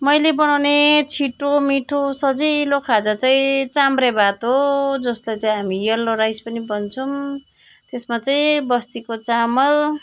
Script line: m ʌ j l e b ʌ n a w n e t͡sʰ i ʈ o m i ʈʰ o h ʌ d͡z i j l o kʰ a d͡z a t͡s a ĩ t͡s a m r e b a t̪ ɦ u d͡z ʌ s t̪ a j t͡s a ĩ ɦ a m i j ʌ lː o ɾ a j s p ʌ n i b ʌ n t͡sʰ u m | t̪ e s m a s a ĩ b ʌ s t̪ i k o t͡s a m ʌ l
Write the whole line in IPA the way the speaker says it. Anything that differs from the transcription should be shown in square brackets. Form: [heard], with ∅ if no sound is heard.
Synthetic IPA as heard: m ʌ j l e b ʌ n a w n e t͡sʰ i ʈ o m i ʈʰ o [s] ʌ d͡z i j l o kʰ a d͡z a t͡s a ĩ t͡s a m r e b a t̪ ɦ [o] d͡z ʌ s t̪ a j t͡s a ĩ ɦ a m i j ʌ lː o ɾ a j s p ʌ n i b ʌ n t͡sʰ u m | t̪ e s m a [t͡s] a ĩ b ʌ s t̪ i k o t͡s a m ʌ l